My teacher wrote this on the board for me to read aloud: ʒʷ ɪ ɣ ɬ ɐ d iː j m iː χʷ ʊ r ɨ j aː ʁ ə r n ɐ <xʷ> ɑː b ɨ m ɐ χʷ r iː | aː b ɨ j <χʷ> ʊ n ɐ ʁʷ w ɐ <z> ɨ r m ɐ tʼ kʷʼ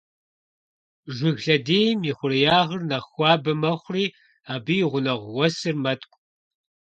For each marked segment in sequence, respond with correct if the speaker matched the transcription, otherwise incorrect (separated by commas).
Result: correct, incorrect, incorrect